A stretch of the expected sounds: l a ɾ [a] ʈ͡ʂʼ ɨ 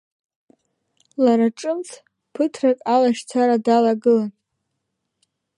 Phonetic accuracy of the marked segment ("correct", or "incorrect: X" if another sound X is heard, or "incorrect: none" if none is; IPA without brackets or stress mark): correct